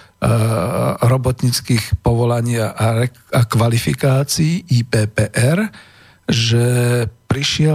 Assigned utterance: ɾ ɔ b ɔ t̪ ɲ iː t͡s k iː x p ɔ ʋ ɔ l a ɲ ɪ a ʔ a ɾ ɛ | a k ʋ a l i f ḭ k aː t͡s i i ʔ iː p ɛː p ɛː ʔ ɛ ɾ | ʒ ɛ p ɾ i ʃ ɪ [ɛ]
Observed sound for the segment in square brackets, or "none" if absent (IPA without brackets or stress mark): ɛ